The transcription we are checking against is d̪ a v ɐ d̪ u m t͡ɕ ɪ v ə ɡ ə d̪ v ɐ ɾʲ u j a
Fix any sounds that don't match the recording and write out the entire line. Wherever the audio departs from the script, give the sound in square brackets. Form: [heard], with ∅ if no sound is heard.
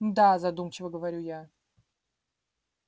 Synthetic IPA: d̪ a [z] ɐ d̪ u m t͡ɕ ɪ v ə ɡ ə [∅] v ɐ ɾʲ u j a